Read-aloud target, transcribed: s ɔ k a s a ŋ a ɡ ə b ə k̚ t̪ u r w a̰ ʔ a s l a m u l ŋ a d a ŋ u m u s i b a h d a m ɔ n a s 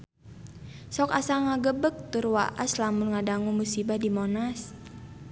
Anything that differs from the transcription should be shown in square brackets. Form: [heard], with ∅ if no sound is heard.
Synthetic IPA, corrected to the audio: s ɔ k a s a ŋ a ɡ ə b ə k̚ t̪ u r w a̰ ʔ a s l a m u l ŋ a d a ŋ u m u s i b a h d [i] m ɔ n a s